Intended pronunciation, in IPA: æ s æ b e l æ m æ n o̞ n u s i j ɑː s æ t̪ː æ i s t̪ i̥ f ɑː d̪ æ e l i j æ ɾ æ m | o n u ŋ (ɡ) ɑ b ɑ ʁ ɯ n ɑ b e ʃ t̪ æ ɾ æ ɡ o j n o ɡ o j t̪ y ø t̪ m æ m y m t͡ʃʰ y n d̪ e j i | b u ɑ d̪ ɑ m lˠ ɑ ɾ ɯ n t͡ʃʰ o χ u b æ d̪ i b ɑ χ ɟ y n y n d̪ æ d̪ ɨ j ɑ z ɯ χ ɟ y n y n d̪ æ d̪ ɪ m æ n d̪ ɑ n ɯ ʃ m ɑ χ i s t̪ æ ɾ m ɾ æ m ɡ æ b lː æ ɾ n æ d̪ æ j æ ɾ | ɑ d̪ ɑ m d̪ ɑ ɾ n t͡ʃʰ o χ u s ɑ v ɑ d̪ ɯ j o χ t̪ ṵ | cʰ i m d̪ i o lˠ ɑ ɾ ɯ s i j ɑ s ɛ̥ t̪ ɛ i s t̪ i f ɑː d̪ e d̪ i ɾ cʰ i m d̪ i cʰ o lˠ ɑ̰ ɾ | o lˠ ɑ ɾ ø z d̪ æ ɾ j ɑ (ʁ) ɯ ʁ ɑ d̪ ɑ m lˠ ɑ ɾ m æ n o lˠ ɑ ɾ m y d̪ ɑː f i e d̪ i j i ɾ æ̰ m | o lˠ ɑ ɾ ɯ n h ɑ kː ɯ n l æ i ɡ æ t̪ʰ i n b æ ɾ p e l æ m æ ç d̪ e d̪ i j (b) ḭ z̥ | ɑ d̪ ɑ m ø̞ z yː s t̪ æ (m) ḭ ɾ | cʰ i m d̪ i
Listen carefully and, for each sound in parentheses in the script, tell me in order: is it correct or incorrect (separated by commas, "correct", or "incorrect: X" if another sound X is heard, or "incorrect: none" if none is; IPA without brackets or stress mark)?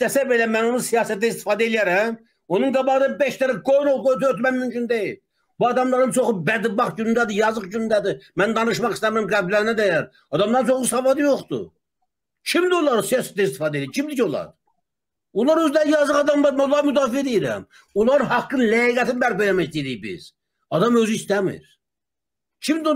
correct, incorrect: z, correct, correct